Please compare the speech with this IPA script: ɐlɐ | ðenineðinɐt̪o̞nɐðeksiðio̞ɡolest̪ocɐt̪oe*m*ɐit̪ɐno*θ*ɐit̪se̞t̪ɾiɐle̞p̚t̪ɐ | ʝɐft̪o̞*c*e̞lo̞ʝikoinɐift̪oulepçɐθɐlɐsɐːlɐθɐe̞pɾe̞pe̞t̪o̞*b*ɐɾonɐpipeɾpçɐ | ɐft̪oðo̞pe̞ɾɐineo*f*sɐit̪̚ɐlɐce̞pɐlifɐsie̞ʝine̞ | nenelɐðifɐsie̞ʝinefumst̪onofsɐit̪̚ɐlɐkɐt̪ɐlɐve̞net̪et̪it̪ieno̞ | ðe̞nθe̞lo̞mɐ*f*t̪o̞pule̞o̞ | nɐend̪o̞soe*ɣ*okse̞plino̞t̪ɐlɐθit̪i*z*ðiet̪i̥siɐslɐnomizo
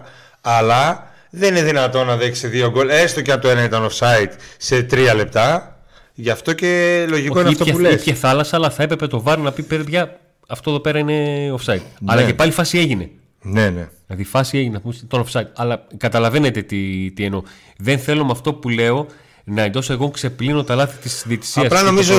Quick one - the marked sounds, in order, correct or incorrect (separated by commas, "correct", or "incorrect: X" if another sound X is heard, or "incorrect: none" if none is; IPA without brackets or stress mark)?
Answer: incorrect: n, incorrect: s, correct, incorrect: v, correct, correct, correct, incorrect: s